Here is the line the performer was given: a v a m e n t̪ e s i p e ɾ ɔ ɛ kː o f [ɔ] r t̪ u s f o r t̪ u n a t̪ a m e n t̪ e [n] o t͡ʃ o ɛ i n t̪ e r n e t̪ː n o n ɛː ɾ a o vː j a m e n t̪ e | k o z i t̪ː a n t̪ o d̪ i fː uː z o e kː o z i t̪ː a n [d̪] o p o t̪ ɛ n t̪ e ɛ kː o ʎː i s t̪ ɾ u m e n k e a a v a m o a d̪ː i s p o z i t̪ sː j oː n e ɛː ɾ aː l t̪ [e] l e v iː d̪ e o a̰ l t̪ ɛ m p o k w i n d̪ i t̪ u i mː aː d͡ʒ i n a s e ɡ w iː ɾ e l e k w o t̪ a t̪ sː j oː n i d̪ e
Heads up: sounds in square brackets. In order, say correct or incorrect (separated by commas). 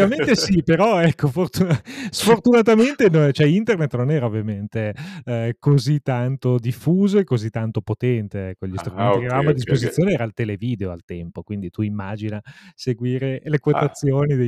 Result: incorrect, correct, incorrect, correct